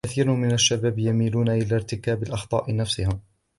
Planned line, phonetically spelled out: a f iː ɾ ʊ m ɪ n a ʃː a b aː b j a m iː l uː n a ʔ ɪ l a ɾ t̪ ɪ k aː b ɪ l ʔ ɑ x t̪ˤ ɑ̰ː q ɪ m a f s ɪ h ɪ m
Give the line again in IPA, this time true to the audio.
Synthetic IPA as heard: a θ iː ɾ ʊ m ɪ n a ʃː a b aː b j a m iː l uː n a ʔ ɪ l a ɾ t̪ ɪ k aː b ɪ l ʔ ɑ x t̪ˤ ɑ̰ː ʔ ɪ n a f s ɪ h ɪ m

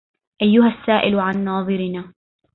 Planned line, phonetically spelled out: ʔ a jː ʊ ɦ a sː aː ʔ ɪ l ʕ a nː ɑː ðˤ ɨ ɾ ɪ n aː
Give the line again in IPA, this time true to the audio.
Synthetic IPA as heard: ʔ a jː ʊ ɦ a sː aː ʔ ɪ l ʕ a nː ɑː ðˤ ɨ ɾ ɪ n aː

